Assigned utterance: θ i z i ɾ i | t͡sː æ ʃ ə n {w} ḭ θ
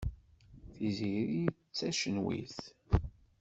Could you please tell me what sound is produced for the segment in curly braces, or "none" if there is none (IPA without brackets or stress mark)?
w